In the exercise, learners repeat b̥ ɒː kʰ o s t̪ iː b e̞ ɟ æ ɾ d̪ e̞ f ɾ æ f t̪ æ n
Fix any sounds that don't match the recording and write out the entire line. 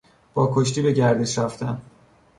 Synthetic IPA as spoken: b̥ ɒː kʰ o ʃ t̪ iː b e̞ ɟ æ ɾ d̪ e̞ ʃ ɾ æ f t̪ æ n